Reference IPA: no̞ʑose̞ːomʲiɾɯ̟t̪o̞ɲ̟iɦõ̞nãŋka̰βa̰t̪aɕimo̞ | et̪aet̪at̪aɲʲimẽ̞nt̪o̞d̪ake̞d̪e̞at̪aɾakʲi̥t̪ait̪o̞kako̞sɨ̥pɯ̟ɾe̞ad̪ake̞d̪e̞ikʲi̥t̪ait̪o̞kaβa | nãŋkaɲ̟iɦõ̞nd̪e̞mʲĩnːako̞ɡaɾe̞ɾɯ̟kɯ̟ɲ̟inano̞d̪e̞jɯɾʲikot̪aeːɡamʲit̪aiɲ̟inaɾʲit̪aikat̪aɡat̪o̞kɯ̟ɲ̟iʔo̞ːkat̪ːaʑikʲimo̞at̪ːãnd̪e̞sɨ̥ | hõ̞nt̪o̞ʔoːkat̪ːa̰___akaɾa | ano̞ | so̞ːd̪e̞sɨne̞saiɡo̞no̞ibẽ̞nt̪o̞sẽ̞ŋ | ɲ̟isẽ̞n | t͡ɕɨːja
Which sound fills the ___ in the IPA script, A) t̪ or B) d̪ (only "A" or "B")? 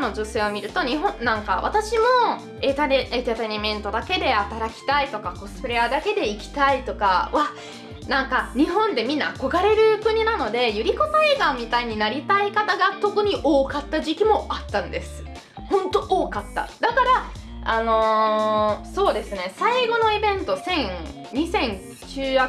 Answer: B